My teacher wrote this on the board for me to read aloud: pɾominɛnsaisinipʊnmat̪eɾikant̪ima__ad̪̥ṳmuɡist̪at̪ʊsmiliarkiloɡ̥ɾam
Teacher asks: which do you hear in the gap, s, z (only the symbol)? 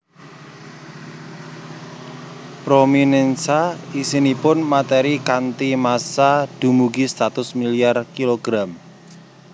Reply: s